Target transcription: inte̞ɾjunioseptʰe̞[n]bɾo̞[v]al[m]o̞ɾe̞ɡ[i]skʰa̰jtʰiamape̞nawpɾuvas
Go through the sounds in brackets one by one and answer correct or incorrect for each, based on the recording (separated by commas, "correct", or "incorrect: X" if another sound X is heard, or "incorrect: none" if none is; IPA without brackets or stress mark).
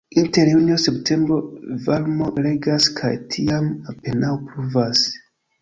incorrect: m, correct, correct, incorrect: a